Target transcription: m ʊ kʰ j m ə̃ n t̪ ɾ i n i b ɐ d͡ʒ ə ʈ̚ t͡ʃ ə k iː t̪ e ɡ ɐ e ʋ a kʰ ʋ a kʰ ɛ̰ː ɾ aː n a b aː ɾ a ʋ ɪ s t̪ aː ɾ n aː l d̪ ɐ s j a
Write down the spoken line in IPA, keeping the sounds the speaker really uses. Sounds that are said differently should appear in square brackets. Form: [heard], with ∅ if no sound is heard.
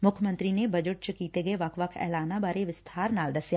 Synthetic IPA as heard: m ʊ kʰ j m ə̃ n t̪ ɾ i n [e] b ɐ d͡ʒ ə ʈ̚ t͡ʃ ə k iː t̪ e ɡ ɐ e ʋ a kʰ ʋ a kʰ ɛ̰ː [l] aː n a b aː ɾ [e] ʋ ɪ s [t̪ʰ] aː ɾ n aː l d̪ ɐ s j a